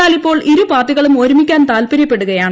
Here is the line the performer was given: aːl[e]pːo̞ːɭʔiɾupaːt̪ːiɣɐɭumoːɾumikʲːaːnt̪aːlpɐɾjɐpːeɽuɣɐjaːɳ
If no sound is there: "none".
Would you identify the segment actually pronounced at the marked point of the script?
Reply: i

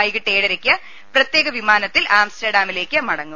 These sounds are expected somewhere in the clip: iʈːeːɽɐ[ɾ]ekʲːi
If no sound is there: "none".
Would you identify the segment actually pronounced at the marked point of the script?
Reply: ɾ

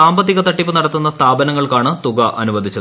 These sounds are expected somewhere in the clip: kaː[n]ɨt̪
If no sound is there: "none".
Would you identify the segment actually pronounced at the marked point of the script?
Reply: ɳ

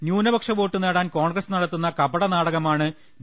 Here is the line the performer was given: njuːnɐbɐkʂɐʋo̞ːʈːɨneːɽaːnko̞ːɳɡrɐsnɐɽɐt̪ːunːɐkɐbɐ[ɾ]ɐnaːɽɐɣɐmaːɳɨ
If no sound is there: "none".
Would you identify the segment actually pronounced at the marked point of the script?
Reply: ɽ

